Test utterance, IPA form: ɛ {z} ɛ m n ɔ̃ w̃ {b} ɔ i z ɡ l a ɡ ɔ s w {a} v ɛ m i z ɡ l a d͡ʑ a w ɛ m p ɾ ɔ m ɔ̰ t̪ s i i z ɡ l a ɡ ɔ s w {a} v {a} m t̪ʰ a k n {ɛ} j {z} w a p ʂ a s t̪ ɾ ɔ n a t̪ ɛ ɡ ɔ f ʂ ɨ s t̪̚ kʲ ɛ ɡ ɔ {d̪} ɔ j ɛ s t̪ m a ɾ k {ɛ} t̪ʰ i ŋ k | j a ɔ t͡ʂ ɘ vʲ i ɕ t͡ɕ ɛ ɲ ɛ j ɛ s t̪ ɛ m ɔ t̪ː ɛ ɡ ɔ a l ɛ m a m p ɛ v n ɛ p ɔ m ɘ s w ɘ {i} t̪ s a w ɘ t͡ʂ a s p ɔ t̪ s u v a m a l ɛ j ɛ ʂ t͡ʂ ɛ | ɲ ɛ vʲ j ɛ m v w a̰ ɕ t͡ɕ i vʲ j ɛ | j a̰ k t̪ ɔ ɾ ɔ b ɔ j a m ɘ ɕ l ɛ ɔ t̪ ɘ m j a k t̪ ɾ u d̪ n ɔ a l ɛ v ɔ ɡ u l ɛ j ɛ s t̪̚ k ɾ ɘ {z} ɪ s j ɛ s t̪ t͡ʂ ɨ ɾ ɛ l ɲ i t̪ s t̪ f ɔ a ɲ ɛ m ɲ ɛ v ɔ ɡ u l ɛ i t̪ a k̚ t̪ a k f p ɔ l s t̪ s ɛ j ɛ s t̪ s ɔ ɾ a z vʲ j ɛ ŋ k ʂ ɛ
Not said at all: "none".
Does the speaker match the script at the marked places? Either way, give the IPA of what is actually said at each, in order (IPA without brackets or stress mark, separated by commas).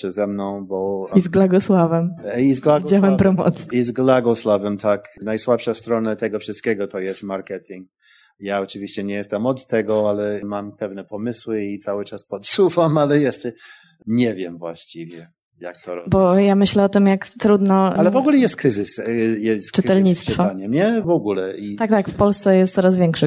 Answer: z, b, a, a, ɛ, a, s, t̪, ɛ, i, z